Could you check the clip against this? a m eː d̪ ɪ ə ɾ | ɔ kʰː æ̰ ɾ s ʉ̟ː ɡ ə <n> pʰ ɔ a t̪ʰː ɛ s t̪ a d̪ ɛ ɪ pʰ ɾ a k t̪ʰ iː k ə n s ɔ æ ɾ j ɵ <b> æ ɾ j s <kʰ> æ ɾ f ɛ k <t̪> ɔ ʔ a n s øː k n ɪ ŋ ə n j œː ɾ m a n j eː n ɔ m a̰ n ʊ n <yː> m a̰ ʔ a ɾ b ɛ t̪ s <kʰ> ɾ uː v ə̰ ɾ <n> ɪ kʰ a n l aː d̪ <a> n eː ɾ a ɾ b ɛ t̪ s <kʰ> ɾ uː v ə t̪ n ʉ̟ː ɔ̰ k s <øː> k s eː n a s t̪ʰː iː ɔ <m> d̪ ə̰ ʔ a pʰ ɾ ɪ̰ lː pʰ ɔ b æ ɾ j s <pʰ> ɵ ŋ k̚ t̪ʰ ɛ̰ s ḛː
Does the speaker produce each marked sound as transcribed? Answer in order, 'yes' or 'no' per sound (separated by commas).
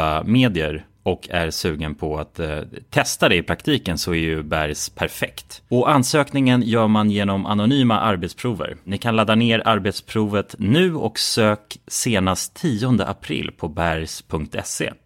yes, yes, no, yes, yes, no, yes, yes, no, yes, no, yes